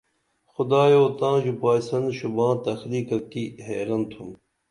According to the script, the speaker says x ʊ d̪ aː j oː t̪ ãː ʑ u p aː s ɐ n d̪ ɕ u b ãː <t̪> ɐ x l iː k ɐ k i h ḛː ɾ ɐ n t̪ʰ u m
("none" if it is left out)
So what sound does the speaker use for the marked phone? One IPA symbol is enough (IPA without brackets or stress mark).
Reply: t̪